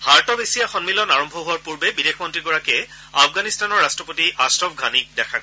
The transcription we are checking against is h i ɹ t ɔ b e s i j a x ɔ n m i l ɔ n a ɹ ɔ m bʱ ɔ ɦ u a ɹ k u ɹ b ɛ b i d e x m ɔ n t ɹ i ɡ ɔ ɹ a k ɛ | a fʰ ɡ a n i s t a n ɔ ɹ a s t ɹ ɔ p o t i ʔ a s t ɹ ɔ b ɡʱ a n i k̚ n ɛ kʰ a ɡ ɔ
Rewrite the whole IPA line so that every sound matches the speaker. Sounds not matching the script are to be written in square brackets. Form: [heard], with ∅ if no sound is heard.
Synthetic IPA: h [a] ɹ t ɔ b e s i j a x ɔ n m i l ɔ n a ɹ ɔ m bʱ ɔ ɦ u a ɹ [p] u ɹ b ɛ b i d e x m ɔ n t ɹ i ɡ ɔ ɹ a k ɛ | a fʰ ɡ a n i s t a n ɔ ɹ a s t ɹ ɔ p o t i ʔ a s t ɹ ɔ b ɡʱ a n i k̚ [d] ɛ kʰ a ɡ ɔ